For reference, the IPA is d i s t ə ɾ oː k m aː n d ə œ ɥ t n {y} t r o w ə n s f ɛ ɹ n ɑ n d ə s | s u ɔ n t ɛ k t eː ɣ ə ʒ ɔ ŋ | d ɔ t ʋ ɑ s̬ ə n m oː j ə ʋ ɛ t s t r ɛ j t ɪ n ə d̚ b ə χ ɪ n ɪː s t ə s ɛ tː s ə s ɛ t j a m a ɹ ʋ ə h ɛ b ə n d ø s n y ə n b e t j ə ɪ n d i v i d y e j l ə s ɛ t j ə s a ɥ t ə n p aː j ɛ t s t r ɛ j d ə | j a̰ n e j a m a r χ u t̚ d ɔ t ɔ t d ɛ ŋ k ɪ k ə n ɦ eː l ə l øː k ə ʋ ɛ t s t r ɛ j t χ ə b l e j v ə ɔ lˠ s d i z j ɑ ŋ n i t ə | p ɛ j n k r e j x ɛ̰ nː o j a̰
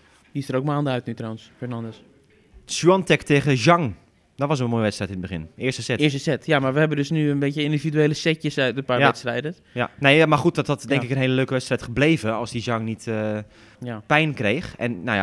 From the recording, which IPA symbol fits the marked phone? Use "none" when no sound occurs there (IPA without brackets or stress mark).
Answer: y